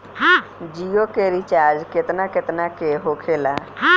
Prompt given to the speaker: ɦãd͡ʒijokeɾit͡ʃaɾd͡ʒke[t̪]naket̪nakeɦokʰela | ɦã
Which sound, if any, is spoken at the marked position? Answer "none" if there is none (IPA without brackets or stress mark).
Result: t̪